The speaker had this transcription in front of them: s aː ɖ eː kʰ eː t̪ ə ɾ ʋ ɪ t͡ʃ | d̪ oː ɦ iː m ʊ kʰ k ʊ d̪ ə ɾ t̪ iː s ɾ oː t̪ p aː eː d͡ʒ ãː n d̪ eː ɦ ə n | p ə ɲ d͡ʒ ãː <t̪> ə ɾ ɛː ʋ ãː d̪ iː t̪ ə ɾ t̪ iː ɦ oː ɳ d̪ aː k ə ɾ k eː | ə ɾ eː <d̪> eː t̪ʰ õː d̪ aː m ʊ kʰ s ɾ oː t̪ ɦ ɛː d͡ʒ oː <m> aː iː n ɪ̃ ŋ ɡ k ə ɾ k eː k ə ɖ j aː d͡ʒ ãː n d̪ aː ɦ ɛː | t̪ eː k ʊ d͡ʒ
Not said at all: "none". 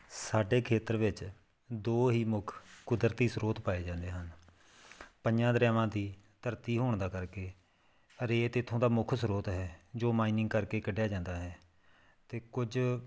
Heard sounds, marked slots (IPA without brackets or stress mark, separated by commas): d̪, t̪, m